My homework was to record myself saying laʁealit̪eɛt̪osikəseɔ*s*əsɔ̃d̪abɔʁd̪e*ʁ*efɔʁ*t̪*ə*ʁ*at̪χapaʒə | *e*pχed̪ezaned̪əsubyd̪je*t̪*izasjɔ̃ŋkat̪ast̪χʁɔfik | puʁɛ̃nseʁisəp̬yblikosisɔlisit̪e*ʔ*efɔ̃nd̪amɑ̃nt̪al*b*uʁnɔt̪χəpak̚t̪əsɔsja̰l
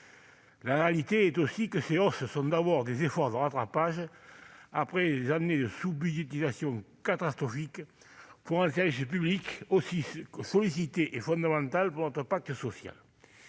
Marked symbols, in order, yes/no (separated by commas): yes, no, no, yes, no, yes, yes, no